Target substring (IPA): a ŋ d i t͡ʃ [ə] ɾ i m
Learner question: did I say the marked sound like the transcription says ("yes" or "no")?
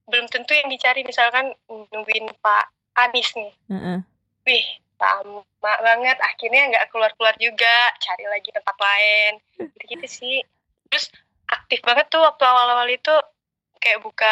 no